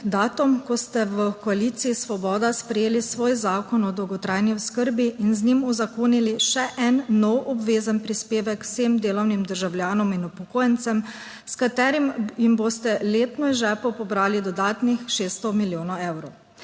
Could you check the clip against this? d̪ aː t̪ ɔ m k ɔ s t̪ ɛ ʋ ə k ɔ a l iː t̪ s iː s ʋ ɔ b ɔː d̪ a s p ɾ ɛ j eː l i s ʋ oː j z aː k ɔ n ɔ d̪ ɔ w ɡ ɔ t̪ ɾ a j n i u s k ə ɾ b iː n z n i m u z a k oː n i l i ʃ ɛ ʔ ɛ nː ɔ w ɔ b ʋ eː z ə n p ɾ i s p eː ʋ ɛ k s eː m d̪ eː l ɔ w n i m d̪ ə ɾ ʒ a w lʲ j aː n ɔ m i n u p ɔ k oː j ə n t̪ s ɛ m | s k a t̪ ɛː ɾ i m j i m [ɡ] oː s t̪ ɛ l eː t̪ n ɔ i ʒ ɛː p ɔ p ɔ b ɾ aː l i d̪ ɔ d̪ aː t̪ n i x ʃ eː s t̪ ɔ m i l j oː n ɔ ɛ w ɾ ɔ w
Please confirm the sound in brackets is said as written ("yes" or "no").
no